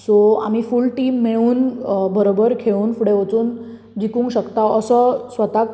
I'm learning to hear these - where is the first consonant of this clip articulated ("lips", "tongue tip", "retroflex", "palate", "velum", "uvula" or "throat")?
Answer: tongue tip